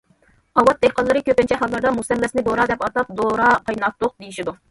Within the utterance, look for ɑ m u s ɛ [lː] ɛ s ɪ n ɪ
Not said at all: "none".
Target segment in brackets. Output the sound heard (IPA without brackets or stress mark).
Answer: lː